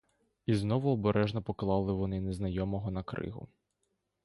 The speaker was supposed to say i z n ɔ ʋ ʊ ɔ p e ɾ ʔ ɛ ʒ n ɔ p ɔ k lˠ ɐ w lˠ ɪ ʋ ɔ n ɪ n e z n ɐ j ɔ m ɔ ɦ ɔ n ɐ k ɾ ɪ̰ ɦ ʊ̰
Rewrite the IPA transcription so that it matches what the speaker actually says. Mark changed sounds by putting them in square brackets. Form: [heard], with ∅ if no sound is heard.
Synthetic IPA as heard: i z n ɔ ʋ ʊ ɔ [b] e ɾ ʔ ɛ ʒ n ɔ p ɔ k lˠ [ɑ] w lˠ ɪ ʋ ɔ n ɪ n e z n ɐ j ɔ m ɔ ɦ ɔ n ɐ k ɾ ɪ̰ ɦ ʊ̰